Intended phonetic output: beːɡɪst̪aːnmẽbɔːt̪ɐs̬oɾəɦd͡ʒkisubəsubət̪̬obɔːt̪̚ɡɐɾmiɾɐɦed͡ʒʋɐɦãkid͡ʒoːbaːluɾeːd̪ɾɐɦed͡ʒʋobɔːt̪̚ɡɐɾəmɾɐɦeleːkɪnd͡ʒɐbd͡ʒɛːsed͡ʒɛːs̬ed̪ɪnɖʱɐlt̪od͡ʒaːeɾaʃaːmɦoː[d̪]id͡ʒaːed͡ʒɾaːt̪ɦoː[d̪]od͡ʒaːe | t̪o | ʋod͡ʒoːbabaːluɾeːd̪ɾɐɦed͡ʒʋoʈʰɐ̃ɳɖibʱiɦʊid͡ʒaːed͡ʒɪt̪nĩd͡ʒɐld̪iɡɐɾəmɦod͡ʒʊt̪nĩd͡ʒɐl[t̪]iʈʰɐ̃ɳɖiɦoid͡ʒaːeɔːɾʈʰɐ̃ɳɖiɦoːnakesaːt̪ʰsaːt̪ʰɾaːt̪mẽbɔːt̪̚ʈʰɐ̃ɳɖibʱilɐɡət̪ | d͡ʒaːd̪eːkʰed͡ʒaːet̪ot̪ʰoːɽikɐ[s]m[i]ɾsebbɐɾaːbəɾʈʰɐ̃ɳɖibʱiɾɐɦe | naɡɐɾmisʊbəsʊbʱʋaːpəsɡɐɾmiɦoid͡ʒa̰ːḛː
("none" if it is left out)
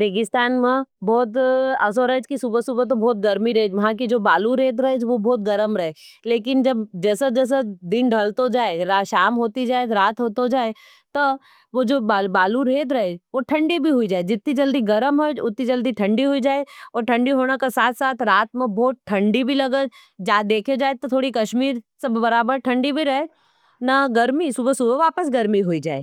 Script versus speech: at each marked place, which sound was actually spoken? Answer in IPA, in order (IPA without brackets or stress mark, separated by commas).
t̪, t̪, d̪, ʃ, iː